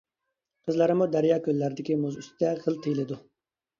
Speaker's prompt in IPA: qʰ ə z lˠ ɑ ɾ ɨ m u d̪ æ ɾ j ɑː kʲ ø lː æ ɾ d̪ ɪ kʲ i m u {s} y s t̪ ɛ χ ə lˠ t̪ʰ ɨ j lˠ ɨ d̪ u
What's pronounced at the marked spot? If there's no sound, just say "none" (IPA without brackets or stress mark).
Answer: z